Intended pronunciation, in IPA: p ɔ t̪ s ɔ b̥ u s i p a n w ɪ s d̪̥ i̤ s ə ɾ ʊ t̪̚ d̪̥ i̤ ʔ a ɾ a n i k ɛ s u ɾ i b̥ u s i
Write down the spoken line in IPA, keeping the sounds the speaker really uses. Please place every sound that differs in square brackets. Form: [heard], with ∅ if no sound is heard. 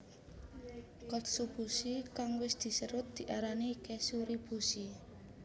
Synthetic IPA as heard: [k] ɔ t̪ s [u] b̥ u s i [k] a [ŋ] w ɪ s d̪̥ i̤ s ə ɾ ʊ t̪̚ d̪̥ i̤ ʔ a ɾ a n i k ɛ s u ɾ i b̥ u s i